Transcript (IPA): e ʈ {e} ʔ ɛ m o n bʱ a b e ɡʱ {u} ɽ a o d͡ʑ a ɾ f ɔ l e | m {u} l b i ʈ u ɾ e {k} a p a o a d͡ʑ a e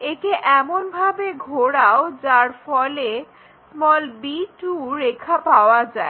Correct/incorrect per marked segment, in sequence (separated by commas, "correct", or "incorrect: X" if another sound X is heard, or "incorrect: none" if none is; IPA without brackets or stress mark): correct, incorrect: o, incorrect: ɔ, incorrect: kʰ